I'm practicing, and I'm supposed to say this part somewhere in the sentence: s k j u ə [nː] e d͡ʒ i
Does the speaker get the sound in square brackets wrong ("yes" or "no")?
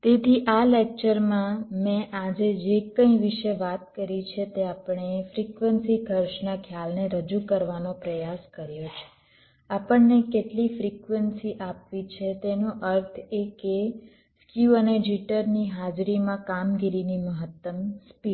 yes